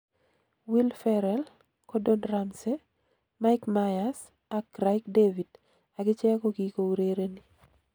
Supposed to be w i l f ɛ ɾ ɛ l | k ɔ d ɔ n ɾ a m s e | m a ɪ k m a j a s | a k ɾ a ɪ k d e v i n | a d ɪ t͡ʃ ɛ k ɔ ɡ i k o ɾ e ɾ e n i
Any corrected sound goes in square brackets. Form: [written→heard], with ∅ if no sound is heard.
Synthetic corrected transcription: w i l f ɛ ɾ ɛ l | k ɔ d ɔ n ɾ a m s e | m a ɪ k m a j a s | a k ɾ a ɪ k d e v i [n→d] | a [d→ɡ] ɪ t͡ʃ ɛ k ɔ ɡ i k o ɾ e ɾ e n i